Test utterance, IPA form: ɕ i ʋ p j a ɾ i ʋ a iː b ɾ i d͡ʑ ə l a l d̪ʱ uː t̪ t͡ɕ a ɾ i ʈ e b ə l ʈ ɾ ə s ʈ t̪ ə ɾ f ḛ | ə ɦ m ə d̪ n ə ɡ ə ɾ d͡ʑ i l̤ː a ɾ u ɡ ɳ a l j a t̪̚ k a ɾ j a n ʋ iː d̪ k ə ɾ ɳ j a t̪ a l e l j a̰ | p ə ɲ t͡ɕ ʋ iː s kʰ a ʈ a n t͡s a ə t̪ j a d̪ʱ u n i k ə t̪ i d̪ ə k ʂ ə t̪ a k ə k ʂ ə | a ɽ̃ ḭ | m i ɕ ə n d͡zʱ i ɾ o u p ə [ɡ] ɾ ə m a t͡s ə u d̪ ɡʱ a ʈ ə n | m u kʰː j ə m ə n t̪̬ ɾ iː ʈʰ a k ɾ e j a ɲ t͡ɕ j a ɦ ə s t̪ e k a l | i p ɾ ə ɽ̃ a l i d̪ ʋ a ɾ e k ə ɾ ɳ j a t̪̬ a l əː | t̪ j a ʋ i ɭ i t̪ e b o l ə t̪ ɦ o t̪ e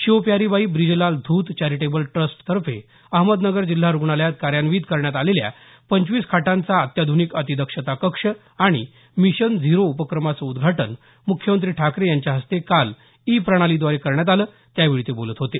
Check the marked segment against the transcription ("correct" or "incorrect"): incorrect